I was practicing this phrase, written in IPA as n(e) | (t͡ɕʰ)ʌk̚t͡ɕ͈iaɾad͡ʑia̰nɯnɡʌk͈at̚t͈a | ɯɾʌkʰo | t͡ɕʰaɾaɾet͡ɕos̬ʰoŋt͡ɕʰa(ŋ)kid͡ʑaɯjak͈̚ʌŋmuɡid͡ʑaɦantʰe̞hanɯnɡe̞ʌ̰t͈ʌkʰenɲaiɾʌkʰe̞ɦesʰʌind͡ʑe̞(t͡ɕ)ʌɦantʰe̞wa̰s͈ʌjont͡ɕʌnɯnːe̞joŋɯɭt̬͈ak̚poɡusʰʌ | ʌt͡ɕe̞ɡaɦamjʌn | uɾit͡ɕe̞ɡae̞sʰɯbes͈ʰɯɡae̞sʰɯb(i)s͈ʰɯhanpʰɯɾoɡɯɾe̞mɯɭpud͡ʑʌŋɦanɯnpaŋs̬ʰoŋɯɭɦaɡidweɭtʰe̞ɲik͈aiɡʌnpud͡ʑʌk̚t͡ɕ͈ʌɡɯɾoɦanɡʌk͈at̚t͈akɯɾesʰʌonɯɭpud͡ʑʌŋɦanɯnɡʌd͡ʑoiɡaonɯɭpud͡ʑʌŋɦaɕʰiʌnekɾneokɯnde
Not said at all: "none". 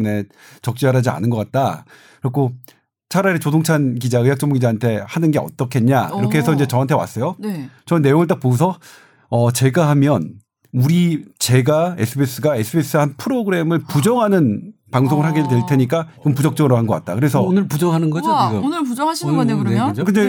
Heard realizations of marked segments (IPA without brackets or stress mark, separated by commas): e, t͡ɕ, n, t͡ɕ, e